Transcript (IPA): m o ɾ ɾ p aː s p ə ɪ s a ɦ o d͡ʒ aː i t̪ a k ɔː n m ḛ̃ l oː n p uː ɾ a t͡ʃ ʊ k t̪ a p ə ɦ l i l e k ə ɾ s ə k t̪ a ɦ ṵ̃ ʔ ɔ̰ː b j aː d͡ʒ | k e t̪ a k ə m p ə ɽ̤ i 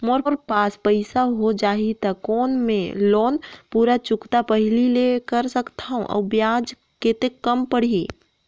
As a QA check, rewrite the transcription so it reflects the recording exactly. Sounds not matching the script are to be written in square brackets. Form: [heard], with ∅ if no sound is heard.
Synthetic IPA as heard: m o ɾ ɾ p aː s p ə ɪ s a ɦ o d͡ʒ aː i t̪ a k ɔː n m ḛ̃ l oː n p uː ɾ a t͡ʃ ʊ k t̪ a p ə ɦ l i l e k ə ɾ s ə k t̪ a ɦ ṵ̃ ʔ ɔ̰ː b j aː d͡ʒ | k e t̪ [e] k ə m p ə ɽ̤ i